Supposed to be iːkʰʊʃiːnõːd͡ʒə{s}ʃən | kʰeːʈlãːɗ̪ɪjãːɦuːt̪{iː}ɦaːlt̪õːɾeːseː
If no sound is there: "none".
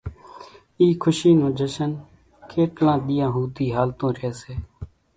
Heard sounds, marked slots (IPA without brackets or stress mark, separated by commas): none, iː